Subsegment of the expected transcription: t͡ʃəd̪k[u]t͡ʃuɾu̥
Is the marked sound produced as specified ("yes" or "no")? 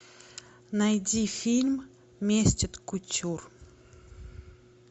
yes